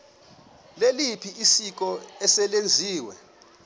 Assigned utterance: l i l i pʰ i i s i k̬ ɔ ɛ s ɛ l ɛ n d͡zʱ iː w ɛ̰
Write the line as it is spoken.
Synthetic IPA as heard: l e l i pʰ i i s i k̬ ɔ ɛ s ɛ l e n d͡zʱ iː w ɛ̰